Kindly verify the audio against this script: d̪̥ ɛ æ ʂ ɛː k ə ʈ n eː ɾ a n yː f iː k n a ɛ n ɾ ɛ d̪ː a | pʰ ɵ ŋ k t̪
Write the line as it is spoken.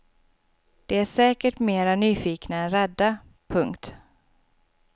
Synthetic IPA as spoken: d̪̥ ɛ æ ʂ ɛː k ə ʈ m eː ɾ a n yː f iː k n a ɛ n ɾ ɛ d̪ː a | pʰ ɵ ŋ k t̪